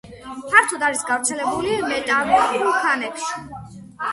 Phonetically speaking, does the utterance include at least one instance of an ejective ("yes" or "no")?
yes